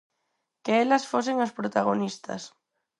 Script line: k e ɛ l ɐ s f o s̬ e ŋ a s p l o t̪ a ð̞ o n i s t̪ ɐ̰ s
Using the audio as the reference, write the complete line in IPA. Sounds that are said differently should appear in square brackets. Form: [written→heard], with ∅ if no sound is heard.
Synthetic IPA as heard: k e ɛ l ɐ s f o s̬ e ŋ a s p [l→ɾ] o t̪ a [ð̞→ɣ̞] o n i s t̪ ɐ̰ s